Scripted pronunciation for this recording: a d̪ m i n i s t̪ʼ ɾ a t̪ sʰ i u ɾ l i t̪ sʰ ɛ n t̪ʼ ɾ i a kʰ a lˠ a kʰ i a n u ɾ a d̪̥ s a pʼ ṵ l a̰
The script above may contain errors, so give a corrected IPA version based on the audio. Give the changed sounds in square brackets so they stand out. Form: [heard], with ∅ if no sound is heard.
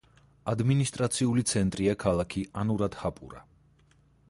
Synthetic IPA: a d̪ m i n i s t̪ʼ ɾ a t̪ sʰ i u [∅] l i t̪ sʰ ɛ n t̪ʼ ɾ i a kʰ a lˠ a kʰ i a n u ɾ a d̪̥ [h] a pʼ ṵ [ɾ] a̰